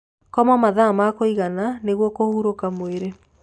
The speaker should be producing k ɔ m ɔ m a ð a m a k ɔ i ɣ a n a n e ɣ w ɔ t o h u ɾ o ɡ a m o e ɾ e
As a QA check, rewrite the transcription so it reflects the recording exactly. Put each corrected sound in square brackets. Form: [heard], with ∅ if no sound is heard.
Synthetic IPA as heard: k ɔ m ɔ m a ð a m a k [o] i ɣ a n a n e ɣ w ɔ [k] o h u ɾ o [k] a m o e ɾ e